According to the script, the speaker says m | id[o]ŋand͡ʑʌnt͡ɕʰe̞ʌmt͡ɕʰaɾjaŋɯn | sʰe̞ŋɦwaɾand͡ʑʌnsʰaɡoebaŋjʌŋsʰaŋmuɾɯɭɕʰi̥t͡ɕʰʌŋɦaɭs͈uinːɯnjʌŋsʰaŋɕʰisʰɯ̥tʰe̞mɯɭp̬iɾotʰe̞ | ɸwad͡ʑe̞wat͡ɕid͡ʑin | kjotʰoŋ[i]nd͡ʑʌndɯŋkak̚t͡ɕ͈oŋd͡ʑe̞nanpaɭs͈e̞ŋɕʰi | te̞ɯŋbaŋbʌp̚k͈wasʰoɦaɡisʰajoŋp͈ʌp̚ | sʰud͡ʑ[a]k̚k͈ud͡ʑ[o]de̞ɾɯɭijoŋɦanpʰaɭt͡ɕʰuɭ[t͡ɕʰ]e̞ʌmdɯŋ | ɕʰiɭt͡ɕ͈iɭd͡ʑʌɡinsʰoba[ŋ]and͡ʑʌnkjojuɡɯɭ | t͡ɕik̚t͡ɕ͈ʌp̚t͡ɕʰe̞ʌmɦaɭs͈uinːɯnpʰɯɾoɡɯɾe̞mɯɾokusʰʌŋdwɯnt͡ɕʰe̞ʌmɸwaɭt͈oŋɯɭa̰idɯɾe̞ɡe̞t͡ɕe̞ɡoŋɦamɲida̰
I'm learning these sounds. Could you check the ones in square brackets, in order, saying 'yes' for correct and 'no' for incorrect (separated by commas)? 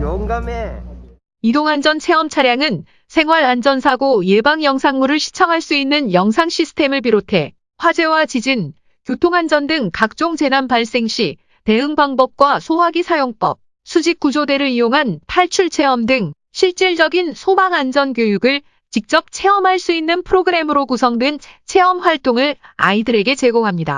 yes, no, no, yes, yes, yes